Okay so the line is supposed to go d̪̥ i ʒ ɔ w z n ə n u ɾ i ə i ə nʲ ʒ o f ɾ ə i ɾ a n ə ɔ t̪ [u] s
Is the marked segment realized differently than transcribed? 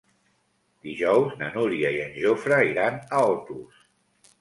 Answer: no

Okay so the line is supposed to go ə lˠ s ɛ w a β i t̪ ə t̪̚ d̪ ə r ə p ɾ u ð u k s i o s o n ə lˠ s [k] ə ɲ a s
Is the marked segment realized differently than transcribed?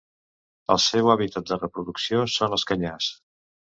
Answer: no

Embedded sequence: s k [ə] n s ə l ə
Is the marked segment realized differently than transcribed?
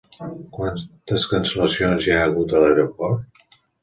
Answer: no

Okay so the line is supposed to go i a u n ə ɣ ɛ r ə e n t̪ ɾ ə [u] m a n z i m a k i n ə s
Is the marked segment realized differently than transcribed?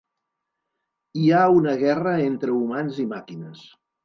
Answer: no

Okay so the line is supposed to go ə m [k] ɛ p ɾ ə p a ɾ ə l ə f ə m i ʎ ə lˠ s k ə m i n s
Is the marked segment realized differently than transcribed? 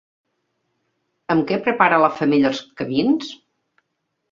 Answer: no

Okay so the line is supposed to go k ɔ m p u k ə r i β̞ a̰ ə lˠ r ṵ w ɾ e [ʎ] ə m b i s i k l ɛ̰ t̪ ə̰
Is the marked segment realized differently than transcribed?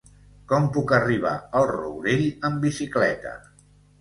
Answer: no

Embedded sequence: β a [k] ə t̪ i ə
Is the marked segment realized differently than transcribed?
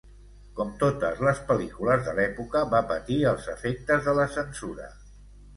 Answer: yes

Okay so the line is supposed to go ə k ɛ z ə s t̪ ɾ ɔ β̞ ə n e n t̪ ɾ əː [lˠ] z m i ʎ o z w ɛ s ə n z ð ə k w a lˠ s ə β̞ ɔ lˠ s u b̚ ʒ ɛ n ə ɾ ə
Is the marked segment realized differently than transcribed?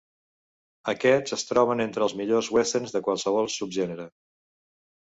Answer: no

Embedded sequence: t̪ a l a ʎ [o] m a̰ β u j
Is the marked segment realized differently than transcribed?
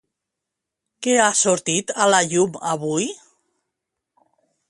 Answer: yes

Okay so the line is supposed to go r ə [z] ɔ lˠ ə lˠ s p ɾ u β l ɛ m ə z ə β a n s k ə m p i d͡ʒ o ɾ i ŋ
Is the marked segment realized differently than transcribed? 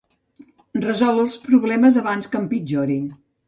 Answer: no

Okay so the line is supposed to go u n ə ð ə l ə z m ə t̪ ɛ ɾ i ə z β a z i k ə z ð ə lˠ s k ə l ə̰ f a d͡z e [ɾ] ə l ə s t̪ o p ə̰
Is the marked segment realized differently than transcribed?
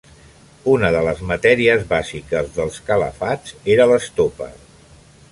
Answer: no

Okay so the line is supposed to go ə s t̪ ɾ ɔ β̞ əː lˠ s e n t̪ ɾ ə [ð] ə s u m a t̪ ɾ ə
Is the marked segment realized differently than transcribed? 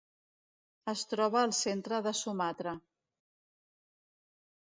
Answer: no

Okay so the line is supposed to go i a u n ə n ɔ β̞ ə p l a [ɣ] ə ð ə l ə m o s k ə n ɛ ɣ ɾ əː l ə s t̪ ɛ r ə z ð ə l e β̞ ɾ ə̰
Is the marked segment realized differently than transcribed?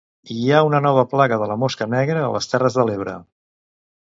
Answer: no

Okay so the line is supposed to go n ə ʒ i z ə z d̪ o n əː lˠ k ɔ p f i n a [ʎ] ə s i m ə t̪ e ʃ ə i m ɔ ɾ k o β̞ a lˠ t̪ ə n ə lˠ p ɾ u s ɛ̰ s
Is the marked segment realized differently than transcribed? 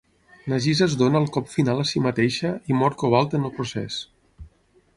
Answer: yes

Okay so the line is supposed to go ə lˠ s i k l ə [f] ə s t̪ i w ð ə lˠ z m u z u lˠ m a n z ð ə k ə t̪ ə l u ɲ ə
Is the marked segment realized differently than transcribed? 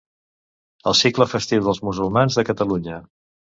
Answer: no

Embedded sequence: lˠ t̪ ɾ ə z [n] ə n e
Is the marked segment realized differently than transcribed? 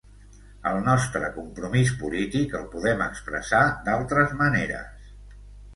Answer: yes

